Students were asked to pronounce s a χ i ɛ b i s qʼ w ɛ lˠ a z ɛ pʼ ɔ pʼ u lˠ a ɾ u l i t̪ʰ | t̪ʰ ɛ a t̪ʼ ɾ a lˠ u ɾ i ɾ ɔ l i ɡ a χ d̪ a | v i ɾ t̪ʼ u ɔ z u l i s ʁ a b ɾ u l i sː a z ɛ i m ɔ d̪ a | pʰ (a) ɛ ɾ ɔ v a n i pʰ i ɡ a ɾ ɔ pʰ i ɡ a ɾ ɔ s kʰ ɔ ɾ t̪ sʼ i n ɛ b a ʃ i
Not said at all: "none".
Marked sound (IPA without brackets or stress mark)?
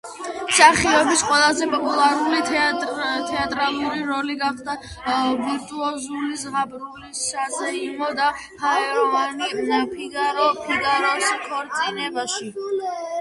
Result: a